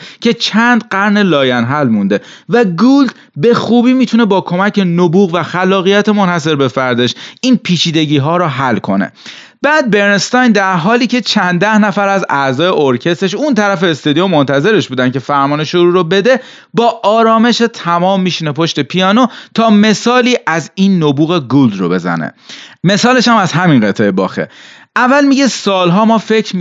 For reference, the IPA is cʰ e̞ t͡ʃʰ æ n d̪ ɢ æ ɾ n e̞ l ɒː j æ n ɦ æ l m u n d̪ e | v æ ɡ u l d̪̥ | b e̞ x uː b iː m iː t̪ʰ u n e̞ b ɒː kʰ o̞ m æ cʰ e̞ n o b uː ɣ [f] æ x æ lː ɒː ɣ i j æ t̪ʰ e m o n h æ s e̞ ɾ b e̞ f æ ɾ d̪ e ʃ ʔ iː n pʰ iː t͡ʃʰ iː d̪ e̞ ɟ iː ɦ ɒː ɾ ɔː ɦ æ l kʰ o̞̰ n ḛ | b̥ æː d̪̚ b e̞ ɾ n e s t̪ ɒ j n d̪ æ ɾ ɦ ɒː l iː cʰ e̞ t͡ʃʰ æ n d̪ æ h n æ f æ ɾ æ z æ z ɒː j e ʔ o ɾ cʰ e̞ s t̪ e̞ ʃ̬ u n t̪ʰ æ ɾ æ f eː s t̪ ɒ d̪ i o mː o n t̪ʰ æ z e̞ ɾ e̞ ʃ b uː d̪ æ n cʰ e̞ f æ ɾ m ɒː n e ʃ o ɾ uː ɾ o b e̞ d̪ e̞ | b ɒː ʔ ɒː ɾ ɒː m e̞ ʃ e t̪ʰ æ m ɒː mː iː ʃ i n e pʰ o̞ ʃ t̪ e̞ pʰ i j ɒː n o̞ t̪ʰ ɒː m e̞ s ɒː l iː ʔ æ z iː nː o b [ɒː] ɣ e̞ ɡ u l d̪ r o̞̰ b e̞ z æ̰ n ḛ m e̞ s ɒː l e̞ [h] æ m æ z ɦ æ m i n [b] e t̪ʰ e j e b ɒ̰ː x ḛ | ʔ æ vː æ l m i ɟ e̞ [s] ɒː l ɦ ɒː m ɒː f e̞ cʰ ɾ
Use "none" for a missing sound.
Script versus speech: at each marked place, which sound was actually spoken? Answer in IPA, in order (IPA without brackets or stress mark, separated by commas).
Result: v, uː, ʃ, ɢ, s